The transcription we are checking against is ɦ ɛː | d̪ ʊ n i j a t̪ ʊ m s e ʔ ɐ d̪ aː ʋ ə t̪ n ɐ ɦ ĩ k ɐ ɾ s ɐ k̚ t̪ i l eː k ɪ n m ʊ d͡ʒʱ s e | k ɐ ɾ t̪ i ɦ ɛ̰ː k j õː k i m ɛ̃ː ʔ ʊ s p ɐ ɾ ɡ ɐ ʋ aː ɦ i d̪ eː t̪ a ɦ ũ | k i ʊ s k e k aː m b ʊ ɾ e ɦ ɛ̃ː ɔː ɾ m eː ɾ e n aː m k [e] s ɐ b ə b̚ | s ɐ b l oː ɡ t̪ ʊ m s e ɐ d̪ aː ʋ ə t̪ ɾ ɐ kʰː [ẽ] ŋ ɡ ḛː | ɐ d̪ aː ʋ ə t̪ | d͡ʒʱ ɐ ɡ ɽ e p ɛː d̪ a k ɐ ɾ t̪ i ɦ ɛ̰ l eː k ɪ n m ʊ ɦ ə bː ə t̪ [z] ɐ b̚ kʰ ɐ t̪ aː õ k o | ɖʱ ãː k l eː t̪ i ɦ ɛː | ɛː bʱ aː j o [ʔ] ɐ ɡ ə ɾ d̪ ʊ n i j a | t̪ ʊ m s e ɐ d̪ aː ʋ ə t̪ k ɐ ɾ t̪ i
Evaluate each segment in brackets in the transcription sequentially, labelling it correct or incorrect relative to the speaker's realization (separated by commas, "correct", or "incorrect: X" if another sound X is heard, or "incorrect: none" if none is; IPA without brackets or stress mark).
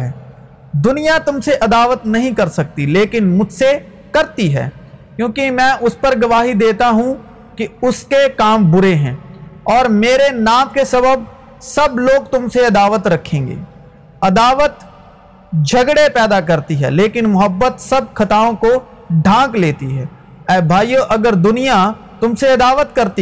correct, incorrect: ẽː, incorrect: s, correct